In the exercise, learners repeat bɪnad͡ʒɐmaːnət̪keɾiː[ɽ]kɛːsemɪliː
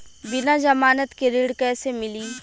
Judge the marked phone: correct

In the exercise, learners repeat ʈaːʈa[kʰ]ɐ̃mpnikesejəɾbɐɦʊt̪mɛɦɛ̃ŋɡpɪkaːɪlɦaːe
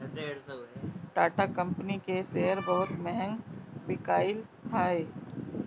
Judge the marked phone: incorrect: k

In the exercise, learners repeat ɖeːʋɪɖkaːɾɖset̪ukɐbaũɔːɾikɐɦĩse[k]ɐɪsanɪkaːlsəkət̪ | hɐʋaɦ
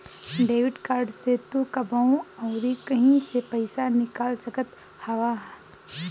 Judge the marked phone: incorrect: p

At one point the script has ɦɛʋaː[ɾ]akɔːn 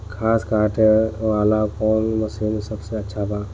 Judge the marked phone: incorrect: l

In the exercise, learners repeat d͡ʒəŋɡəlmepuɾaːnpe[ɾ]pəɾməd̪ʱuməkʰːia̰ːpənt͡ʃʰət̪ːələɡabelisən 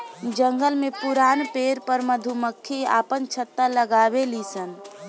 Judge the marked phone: correct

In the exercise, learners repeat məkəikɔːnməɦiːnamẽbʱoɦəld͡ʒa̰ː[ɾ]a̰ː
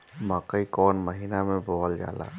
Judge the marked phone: incorrect: l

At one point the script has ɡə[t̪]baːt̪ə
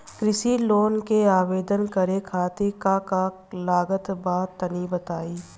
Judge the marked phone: correct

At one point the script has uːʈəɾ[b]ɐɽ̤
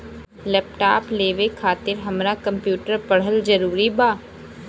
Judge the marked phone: incorrect: p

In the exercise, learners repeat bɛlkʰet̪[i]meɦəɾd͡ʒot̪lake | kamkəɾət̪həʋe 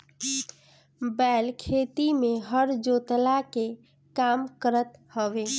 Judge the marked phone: correct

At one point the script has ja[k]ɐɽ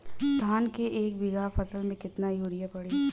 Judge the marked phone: incorrect: p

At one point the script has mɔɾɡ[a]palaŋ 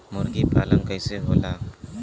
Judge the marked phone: incorrect: i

